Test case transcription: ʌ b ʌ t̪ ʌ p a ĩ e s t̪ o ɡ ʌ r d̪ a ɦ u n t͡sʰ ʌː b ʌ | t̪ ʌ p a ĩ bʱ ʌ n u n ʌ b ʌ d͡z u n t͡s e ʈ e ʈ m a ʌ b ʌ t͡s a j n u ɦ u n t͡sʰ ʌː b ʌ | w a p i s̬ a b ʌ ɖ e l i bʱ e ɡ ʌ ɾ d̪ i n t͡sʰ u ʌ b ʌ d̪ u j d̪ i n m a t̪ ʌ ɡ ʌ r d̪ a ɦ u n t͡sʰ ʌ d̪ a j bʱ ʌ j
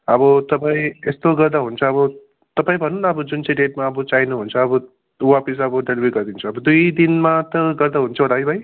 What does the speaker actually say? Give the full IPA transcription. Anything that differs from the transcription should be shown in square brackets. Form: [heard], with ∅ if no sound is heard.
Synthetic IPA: ʌ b ʌ t̪ ʌ p a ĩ e s t̪ o ɡ ʌ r d̪ a ɦ u n t͡sʰ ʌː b ʌ | t̪ ʌ p a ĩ bʱ ʌ n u n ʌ b ʌ d͡z u n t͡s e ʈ e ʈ m a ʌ b ʌ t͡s a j n u ɦ u n t͡sʰ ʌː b ʌ | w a p i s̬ [ʌ] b ʌ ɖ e l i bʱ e ɡ ʌ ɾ d̪ i n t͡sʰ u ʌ b ʌ d̪ u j d̪ i n m a t̪ ʌ ɡ ʌ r d̪ a ɦ u n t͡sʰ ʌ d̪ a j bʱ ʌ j